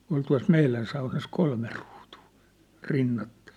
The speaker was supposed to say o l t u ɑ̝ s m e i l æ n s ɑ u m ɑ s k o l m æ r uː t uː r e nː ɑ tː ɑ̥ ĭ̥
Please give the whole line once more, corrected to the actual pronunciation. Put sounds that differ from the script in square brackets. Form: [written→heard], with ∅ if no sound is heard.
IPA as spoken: o l t u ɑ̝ s m e i l æ n s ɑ u [m→n] ɑ s k o l m [æ→e] r uː t uː r [e→i] nː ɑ tː ɑ̥ ĭ̥